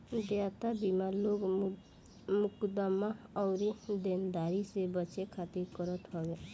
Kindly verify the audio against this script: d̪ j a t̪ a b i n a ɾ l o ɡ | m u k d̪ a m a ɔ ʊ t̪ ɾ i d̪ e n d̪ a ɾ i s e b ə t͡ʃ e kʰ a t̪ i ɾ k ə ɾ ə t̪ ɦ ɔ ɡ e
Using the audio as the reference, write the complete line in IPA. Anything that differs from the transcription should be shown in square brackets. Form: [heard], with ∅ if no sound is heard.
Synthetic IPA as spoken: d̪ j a t̪ a b i [m] a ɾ l o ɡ | m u k d̪ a m a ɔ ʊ [∅] ɾ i d̪ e n d̪ a ɾ i s e b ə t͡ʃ e kʰ a t̪ i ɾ k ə ɾ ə t̪ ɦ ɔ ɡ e